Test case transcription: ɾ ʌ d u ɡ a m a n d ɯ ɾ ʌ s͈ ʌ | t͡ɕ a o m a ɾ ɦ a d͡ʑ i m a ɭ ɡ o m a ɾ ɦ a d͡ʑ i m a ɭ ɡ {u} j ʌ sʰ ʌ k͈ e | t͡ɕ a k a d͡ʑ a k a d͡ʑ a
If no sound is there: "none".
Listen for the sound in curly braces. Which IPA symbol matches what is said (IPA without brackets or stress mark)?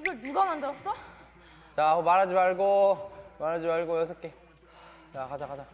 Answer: o